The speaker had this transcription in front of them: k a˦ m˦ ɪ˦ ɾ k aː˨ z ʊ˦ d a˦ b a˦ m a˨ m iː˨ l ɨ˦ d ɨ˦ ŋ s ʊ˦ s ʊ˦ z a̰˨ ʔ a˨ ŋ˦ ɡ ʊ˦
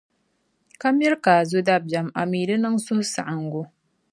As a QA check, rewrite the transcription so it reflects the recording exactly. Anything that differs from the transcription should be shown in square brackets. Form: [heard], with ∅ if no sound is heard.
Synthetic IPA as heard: k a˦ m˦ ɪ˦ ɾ k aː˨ z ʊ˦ d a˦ b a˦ m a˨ m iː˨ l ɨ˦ [n] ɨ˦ ŋ s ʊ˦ [h] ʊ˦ [s] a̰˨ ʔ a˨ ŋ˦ ɡ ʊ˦